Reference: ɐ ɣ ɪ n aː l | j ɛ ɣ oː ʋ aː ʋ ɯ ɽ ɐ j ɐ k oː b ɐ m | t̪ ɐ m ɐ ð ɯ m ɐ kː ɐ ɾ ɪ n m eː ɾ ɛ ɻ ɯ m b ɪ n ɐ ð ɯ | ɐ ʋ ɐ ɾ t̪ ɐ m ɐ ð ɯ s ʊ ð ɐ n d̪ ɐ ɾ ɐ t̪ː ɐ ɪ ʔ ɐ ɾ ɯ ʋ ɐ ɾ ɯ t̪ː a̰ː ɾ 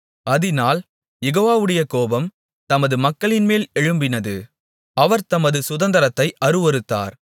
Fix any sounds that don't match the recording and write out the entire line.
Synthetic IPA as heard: ɐ ð ɪ n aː l | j ɛ ɣ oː ʋ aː ʋ ɯ ɽ ɐ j ɐ k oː b ɐ m | t̪ ɐ m ɐ ð ɯ m ɐ kː ɐ ɭ ɪ n m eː l ɛ ɻ ɯ m b ɪ n ɐ ð ɯ | ɐ ʋ ɐ ɾ t̪ ɐ m ɐ ð ɯ s ʊ ð ɐ n d̪ ɐ ɾ ɐ t̪ː ɐ ɪ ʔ ɐ ɾ ɯ ʋ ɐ ɾ ɯ t̪ː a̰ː ɾ

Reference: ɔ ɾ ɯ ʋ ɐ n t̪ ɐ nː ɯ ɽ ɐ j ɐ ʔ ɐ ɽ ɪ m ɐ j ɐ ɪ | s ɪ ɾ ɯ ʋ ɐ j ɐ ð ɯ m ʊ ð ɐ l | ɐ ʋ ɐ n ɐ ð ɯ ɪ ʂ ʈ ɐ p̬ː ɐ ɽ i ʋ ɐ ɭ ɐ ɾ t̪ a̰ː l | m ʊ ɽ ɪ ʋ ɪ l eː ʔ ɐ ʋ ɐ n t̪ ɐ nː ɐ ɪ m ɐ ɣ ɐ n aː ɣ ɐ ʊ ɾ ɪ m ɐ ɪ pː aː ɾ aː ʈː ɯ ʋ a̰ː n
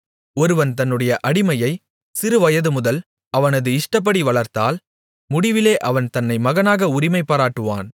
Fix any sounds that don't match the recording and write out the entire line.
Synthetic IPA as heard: ɔ ɾ ɯ ʋ ɐ n t̪ ɐ nː ɯ ɽ ɐ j ɐ ʔ ɐ ɽ ɪ m ɐ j ɐ ɪ | s ɪ ɾ ɯ ʋ ɐ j ɐ ð ɯ m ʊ ð ɐ l | ɐ ʋ ɐ n ɐ ð ɯ ɪ ʂ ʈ ɐ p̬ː ɐ ɽ i ʋ ɐ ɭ ɐ ɾ t̪ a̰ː l | m ʊ ɽ ɪ ʋ ɪ l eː ʔ ɐ ʋ ɐ n t̪ ɐ nː ɐ ɪ m ɐ ɣ ɐ n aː ɣ ɐ ʊ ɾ ɪ m ɐ ɪ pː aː ɾ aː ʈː ɯ ʋ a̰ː n

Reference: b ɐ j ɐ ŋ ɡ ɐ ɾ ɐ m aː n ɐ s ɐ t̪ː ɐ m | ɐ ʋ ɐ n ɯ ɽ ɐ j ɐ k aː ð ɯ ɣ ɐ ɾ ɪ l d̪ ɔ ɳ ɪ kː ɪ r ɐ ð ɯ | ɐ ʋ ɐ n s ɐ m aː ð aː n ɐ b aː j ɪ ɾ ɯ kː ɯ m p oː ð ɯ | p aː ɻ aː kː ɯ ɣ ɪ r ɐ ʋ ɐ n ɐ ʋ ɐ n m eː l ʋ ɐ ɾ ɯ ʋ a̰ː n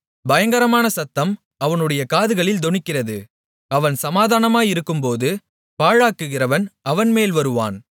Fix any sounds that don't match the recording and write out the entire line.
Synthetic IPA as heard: b ɐ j ɐ ŋ ɡ ɐ ɾ ɐ m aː n ɐ s ɐ t̪ː ɐ m | ɐ ʋ ɐ n ɯ ɽ ɐ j ɐ k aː ð ɯ ɣ ɐ ɭ ɪ l d̪ ɔ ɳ ɪ kː ɪ r ɐ ð ɯ | ɐ ʋ ɐ n s ɐ m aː ð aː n ɐ m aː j ɪ ɾ ɯ kː ɯ m p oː ð ɯ | p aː ɻ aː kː ɯ ɣ ɪ r ɐ ʋ ɐ n ɐ ʋ ɐ n m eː l ʋ ɐ ɾ ɯ ʋ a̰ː n

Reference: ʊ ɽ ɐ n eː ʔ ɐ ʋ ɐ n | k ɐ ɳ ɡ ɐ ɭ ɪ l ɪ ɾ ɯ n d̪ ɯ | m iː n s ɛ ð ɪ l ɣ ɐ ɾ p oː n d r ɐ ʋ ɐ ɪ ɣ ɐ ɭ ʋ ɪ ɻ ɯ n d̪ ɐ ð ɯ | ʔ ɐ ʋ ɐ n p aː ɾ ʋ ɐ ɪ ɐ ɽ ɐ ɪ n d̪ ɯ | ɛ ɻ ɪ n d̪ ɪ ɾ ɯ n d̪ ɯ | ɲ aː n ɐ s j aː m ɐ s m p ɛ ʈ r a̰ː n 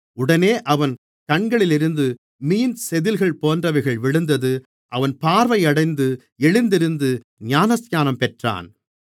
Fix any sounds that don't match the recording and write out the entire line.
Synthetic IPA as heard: ʊ ɽ ɐ n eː ʔ ɐ ʋ ɐ n | k ɐ ɳ ɡ ɐ ɭ ɪ l ɪ ɾ ɯ n d̪ ɯ | m iː n s ɛ ð ɪ l ɣ ɐ ɭ p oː n d r ɐ ʋ ɐ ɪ ɣ ɐ ɭ ʋ ɪ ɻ ɯ n d̪ ɐ ð ɯ | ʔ ɐ ʋ ɐ n p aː ɾ ʋ ɐ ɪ ɐ ɽ ɐ ɪ n d̪ ɯ | ɛ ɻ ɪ n d̪ ɪ ɾ ɯ n d̪ ɯ | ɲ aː n ɐ s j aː n ɐ m p ɛ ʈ r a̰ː n

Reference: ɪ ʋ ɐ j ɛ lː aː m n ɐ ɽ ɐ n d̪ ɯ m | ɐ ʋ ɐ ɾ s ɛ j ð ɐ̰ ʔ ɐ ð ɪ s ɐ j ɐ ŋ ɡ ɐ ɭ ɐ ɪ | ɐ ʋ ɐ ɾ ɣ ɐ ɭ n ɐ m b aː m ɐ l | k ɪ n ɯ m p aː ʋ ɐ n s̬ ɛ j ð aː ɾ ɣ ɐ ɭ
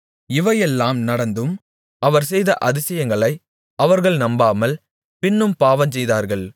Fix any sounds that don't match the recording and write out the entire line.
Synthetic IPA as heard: ɪ ʋ ɐ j ɛ lː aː m n ɐ ɽ ɐ n d̪ ɯ m | ɐ ʋ ɐ ɾ s ɛ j ð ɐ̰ ʔ ɐ ð ɪ s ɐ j ɐ ŋ ɡ ɐ ɭ ɐ ɪ | ɐ ʋ ɐ ɾ ɣ ɐ ɭ n ɐ m b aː m ɐ l | p ɪ nː ɯ m p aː ʋ ɐ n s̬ ɛ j ð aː ɾ ɣ ɐ ɭ

